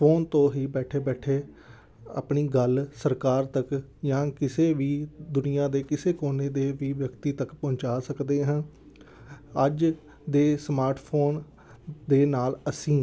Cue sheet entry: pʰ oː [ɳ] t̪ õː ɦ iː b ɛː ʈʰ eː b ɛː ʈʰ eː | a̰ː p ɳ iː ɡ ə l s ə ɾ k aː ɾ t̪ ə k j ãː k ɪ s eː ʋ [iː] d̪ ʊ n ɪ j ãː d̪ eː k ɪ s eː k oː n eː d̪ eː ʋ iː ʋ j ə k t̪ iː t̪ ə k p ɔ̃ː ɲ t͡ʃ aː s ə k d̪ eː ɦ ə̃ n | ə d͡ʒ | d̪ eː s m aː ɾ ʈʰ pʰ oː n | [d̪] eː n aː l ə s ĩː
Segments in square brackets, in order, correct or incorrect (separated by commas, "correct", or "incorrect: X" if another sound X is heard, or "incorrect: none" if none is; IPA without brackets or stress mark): incorrect: n, correct, correct